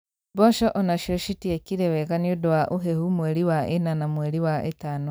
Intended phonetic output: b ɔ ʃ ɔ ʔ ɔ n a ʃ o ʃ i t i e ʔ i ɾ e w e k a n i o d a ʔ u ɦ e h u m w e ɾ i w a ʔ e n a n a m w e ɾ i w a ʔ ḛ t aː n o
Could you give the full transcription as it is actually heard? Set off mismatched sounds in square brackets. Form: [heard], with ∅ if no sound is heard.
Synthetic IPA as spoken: b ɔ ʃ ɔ ʔ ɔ n a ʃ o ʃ i t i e [k] i ɾ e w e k a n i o d a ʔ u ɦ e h u m w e ɾ i w a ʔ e n a n a m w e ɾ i w a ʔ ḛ t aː n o